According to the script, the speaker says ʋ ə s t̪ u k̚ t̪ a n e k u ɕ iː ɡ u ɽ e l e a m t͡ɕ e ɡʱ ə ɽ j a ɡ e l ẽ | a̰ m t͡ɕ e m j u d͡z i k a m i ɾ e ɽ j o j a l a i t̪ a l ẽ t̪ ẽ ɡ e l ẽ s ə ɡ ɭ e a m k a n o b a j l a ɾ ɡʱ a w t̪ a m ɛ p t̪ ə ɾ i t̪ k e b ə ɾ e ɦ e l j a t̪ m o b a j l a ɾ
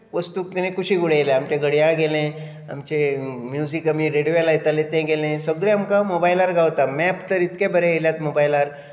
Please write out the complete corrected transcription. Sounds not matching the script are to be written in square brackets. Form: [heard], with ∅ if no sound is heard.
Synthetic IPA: ʋ ə s t̪ u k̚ t̪ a n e k u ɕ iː ɡ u ɽ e l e a m t͡ɕ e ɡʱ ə ɽ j a ɡ e l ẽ | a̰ m t͡ɕ e m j u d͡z i k a m i ɾ e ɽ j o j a l a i t̪ a l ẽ t̪ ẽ ɡ e l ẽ s ə ɡ ɭ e a m k a [m] o b a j l a ɾ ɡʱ a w t̪ a m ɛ p t̪ ə ɾ i t̪ k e b ə ɾ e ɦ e l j a t̪ m o b a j l a ɾ